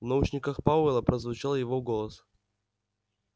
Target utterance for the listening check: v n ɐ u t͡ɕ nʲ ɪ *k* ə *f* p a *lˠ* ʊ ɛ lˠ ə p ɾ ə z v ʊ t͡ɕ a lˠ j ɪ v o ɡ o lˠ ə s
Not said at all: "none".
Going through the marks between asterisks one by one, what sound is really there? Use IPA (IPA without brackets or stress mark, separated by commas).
k, x, none